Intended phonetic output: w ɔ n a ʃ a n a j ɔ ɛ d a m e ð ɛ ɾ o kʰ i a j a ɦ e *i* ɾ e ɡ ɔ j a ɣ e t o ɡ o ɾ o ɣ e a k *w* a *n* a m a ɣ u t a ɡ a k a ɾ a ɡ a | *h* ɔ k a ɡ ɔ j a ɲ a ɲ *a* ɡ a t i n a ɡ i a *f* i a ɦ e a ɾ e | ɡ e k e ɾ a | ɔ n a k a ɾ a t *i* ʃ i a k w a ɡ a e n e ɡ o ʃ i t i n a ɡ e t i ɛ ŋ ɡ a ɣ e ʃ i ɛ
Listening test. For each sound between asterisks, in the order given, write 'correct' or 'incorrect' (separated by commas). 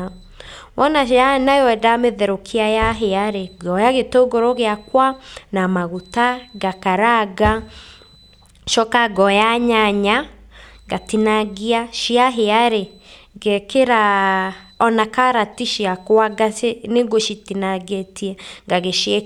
incorrect, correct, correct, incorrect, correct, incorrect, correct